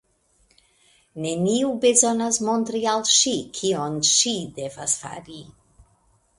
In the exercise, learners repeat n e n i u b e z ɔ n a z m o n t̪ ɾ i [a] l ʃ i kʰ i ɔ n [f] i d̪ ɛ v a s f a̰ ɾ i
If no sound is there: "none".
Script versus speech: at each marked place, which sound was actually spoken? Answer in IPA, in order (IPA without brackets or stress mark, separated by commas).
a, ʃ